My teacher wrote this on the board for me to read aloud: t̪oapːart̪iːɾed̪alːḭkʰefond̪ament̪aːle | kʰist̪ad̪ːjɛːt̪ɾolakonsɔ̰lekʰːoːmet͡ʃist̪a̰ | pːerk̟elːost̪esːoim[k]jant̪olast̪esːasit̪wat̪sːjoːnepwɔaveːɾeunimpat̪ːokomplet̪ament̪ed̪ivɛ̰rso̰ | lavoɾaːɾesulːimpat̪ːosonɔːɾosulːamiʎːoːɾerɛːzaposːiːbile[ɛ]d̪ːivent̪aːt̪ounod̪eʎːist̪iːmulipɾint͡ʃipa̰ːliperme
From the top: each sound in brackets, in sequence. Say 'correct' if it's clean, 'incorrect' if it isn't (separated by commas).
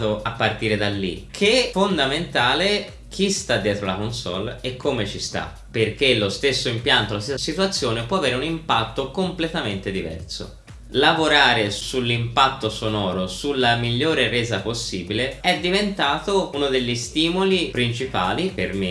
incorrect, correct